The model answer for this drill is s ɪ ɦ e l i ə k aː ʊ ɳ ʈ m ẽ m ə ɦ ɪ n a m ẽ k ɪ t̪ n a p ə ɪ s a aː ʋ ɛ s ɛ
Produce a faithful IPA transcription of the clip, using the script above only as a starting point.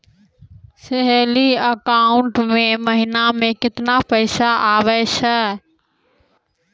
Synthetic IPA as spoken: s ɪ ɦ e l i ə k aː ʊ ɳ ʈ m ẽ m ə ɦ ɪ n a m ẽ k ɪ t̪ n a p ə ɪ s a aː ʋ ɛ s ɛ